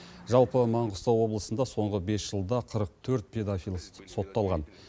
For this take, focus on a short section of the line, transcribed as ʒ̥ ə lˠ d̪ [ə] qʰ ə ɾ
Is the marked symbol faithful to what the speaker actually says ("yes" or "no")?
no